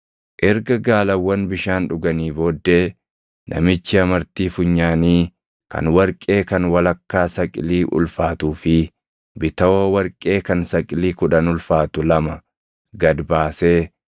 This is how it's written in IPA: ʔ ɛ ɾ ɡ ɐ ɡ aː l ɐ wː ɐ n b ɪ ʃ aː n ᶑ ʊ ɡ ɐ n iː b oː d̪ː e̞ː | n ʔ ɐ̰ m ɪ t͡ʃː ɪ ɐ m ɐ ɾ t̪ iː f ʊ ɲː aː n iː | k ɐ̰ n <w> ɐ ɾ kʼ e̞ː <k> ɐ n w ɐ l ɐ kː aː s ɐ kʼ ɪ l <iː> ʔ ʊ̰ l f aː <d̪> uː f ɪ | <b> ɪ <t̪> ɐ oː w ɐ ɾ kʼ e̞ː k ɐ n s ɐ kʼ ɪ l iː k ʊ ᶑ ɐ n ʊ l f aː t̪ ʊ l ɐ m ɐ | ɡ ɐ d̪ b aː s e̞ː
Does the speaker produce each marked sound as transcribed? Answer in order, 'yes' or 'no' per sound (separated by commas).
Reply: yes, yes, yes, no, yes, yes